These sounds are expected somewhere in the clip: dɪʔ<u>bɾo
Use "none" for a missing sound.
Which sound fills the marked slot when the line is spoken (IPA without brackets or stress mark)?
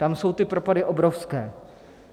o